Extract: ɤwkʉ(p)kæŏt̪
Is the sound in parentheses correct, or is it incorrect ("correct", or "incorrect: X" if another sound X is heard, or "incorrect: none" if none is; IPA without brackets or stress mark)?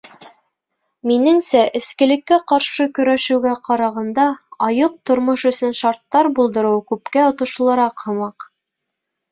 correct